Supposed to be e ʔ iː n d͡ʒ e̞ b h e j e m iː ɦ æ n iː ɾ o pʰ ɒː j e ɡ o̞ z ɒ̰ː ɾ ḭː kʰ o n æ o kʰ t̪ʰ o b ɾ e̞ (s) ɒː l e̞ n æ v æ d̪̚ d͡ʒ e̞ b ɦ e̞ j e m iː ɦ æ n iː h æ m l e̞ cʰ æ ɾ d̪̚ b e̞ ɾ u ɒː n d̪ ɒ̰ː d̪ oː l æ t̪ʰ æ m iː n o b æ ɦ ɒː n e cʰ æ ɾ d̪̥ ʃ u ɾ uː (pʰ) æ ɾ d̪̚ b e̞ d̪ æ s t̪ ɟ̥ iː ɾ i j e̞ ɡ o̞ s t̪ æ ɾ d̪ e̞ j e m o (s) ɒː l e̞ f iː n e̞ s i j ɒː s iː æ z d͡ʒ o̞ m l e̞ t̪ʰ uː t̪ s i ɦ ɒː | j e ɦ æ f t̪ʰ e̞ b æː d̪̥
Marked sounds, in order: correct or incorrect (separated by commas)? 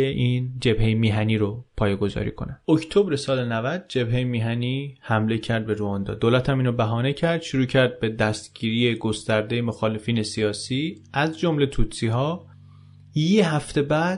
correct, incorrect, incorrect